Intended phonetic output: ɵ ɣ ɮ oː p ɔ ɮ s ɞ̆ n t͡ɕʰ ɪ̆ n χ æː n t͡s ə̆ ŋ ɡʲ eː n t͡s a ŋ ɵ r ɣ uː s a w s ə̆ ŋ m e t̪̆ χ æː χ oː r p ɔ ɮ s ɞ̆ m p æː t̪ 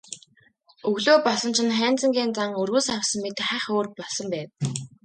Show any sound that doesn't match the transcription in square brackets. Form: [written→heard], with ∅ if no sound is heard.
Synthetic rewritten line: ɵ ɣ ɮ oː p ɔ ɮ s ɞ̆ n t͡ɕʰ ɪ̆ n χ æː n t͡s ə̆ ŋ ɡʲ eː n t͡s a ŋ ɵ r ɣ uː s a w s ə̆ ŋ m e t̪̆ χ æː χ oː r p ɔ ɮ s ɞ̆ m p æː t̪